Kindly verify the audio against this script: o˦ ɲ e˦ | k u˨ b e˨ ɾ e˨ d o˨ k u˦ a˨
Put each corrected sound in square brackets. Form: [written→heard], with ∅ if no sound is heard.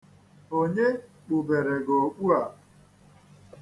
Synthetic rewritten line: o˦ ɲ e˦ | [k→k͡p] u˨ b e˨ ɾ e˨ [d→ɡ] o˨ [k→k͡p] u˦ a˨